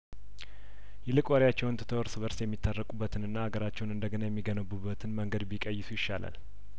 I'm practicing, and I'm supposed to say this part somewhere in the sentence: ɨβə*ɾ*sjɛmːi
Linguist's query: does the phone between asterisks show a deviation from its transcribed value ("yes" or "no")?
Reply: no